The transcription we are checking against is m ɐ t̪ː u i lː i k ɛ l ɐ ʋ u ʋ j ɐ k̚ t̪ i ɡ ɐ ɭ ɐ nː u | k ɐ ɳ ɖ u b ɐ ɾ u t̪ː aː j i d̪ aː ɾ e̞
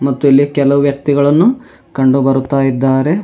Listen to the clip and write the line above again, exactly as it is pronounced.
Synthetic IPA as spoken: m ɐ t̪ː u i lː i k ɛ l ɐ ʋ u ʋ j ɐ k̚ t̪ i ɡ ɐ ɭ ɐ nː u | k ɐ ɳ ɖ u b ɐ ɾ u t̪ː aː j i d̪ː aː ɾ e̞

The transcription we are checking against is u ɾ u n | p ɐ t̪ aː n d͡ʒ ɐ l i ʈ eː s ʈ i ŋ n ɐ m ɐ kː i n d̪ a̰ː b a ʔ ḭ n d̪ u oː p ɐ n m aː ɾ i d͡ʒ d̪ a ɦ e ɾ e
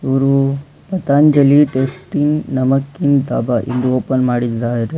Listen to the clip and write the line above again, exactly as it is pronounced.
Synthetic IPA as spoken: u ɾ u | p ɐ t̪ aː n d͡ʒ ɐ l i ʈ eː s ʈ i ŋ n ɐ m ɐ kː i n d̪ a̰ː b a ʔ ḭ n d̪ u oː p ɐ n m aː ɽ i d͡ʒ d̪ a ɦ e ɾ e

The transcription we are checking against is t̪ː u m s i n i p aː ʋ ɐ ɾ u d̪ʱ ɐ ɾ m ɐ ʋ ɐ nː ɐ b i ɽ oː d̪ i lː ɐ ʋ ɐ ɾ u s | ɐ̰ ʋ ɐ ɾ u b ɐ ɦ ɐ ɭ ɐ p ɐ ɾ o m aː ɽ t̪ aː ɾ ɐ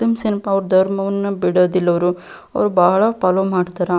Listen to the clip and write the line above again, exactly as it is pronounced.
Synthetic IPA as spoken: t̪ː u m s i n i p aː ʋ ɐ ɾ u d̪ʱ ɐ ɾ m ɐ ʋ ɐ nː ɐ b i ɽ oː d̪ i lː ɐ ʋ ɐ ɾ u | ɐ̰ ʋ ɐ ɾ u b ɐ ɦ ɐ ɭ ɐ p ɐ l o m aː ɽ t̪ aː ɾ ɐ

